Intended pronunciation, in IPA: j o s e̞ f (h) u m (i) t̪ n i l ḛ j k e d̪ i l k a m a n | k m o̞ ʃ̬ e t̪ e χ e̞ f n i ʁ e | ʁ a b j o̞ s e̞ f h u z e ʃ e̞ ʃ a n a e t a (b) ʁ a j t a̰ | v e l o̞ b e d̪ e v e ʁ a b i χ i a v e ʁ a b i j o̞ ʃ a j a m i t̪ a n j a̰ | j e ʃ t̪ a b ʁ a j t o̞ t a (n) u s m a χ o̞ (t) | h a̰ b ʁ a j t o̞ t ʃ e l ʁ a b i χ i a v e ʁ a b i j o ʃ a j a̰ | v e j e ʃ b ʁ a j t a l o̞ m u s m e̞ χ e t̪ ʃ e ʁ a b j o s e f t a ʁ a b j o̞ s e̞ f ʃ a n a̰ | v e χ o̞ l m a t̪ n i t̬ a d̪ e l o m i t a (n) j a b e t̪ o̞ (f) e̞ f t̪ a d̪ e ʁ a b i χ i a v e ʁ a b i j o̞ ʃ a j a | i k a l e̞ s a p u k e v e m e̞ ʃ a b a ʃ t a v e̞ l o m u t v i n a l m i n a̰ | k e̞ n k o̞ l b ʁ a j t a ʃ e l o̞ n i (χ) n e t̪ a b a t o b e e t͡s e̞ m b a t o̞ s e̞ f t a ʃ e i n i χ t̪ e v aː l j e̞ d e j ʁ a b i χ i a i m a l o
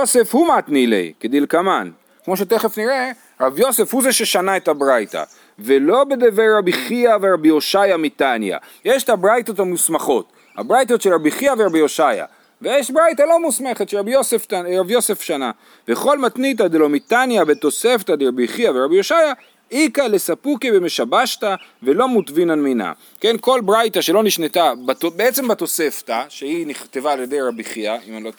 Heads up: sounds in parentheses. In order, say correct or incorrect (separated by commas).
correct, incorrect, correct, incorrect, correct, correct, incorrect, incorrect